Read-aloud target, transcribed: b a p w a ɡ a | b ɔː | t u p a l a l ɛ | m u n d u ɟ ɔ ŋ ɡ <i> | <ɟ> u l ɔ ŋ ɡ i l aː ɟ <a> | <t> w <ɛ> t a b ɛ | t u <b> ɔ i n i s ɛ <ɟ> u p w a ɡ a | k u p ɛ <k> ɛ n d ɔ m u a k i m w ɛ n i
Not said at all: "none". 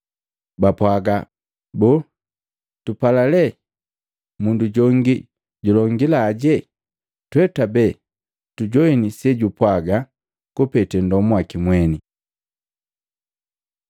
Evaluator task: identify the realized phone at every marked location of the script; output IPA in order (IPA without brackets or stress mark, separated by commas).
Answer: i, ɟ, ɛ, t, ɛ, ɟ, ɟ, t